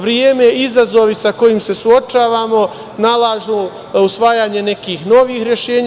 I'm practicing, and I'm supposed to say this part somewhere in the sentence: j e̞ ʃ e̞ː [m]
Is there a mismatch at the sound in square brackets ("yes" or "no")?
yes